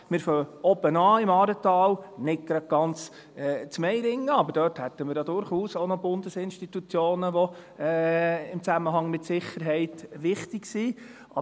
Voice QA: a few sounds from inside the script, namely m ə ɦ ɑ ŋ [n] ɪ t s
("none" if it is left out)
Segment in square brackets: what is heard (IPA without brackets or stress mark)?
m